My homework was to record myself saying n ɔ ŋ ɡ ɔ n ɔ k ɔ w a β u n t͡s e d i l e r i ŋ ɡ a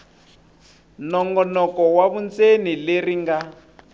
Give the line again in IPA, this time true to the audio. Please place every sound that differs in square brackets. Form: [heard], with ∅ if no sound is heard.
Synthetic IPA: n ɔ ŋ ɡ ɔ n ɔ k ɔ w a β u n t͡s e [n] i l e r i ŋ ɡ a